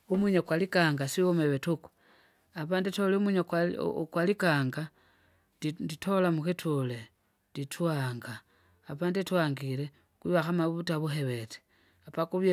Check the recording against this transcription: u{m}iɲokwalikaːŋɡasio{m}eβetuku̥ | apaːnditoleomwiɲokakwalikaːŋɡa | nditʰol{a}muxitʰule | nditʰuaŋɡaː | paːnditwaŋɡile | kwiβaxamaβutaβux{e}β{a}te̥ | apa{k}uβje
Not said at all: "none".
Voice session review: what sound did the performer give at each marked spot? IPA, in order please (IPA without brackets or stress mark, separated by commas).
m, m, a, e, e, k